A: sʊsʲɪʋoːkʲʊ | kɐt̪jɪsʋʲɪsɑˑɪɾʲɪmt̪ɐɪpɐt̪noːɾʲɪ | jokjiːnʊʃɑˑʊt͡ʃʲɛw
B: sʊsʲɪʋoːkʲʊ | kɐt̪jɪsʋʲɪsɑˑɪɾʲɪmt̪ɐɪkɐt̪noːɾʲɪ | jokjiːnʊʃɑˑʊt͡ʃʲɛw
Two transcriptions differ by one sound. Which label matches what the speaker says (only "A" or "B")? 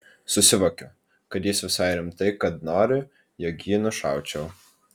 B